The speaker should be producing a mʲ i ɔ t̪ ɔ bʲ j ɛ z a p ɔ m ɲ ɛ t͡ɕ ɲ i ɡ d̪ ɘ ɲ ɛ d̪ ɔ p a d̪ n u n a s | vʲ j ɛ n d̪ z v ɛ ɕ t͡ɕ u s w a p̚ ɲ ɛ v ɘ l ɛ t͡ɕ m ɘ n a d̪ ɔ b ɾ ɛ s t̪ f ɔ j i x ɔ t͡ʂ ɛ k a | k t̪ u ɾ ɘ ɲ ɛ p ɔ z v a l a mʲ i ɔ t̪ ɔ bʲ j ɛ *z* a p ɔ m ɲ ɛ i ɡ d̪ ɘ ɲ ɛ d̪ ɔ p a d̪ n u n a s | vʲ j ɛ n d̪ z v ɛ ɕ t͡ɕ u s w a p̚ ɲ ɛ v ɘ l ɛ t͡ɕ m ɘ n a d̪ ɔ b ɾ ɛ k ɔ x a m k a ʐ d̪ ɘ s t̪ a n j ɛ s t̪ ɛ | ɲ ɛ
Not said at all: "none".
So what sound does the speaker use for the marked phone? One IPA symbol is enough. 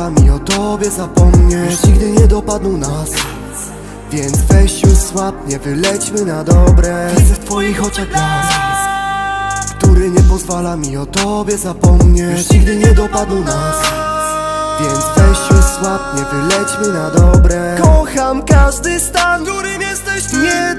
z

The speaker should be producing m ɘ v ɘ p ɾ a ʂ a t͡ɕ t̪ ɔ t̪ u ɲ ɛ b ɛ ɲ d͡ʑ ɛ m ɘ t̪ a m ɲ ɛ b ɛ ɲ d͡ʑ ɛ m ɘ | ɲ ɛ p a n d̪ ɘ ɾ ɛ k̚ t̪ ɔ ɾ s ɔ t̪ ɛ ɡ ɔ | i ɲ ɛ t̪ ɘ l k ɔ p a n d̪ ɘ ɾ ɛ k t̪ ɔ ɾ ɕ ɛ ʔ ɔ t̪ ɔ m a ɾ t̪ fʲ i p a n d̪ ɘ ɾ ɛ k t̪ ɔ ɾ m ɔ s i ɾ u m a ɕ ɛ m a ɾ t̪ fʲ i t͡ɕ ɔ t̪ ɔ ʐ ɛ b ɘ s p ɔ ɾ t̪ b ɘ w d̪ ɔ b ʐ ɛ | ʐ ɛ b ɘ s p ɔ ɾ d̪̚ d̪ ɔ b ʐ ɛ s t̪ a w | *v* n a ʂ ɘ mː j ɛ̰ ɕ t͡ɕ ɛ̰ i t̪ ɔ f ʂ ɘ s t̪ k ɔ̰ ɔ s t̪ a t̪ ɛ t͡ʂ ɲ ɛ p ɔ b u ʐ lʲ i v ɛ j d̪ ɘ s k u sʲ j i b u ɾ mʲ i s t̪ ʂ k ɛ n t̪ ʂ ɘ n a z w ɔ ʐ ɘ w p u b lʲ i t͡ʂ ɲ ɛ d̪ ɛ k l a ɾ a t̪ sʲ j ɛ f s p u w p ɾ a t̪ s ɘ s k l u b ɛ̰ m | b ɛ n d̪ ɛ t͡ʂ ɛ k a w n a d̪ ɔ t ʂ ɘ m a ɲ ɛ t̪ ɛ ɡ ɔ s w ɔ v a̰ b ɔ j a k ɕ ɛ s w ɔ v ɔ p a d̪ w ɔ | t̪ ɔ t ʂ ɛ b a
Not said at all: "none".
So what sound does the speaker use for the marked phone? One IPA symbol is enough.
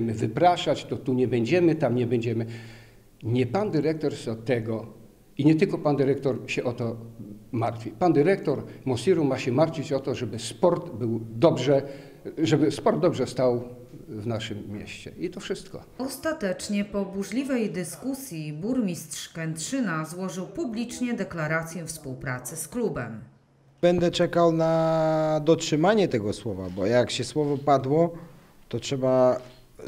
v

